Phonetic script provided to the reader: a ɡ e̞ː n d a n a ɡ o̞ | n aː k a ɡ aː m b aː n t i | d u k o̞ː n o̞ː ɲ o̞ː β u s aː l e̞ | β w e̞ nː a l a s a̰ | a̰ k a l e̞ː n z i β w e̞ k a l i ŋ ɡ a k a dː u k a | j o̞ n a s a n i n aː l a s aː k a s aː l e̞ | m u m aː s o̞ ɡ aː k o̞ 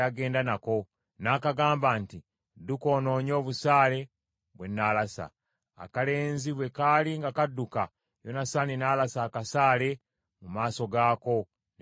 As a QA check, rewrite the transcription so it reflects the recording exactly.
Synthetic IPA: a ɡ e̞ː n d a n a k o̞ | n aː k a ɡ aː m b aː n t i | d u k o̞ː n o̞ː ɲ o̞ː β u s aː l e̞ | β w e̞ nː a l a s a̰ | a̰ k a l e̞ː n z i β w e̞ k a l i ŋ ɡ a k a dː u k a | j o̞ n a s a n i n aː l a s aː k a s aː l e̞ | m u m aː s o̞ ɡ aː k o̞